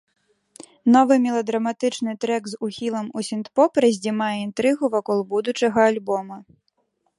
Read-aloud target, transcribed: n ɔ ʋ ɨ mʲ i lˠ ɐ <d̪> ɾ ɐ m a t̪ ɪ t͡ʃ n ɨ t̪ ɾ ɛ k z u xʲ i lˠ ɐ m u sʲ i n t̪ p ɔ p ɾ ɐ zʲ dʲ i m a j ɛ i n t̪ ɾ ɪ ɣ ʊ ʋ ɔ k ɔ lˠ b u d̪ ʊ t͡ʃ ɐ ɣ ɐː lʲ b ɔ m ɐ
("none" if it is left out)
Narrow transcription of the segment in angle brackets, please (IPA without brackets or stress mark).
d̪